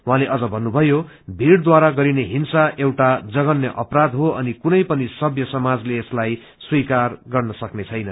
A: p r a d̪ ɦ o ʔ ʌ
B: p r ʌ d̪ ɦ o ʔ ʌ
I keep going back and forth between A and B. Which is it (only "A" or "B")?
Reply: A